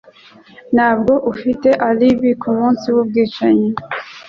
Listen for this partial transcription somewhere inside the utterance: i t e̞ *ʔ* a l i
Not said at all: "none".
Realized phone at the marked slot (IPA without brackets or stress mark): ʔ